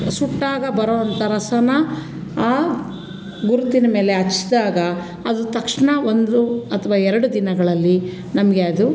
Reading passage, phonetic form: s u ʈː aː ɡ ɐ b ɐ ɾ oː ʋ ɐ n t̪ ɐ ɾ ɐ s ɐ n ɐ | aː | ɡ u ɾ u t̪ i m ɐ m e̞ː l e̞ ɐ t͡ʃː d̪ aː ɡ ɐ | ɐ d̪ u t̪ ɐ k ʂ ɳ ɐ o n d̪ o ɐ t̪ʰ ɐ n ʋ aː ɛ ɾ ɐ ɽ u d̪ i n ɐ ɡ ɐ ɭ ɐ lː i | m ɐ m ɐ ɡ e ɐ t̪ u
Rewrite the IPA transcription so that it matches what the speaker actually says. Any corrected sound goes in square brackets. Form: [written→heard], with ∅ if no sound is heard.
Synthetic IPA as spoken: s u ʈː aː ɡ ɐ b ɐ ɾ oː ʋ ɐ n t̪ ɐ ɾ ɐ s ɐ n ɐ | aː | ɡ u ɾ u t̪ i [m→n] ɐ m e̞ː l e̞ ɐ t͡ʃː d̪ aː ɡ ɐ | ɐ d̪ u t̪ ɐ k ʂ ɳ ɐ o n d̪ [o→u] ɐ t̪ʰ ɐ [n→∅] ʋ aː ɛ ɾ ɐ ɽ u d̪ i n ɐ ɡ ɐ ɭ ɐ lː i | [m→n] ɐ m ɐ ɡ e ɐ [t̪→d̪] u